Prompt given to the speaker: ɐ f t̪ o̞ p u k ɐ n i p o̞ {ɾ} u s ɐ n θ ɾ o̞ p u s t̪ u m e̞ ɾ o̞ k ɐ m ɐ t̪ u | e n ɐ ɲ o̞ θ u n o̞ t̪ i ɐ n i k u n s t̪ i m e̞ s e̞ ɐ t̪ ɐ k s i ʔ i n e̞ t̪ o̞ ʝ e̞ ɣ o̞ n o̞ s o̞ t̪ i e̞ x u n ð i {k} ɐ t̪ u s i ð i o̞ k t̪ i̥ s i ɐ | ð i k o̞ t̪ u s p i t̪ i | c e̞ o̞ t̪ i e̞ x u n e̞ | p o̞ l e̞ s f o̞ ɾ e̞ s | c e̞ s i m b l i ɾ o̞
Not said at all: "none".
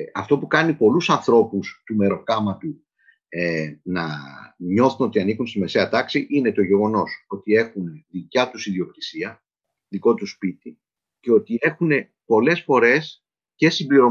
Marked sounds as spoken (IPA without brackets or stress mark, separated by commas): l, c